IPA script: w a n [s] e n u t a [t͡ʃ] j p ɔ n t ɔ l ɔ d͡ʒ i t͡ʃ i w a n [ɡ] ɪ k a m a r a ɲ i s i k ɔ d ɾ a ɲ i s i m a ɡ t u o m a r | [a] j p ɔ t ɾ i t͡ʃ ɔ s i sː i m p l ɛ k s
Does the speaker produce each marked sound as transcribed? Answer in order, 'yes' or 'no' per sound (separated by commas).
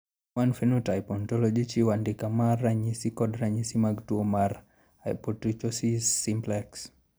no, no, no, yes